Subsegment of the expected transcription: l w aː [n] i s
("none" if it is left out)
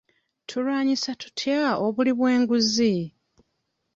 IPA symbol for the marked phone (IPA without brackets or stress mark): ɲ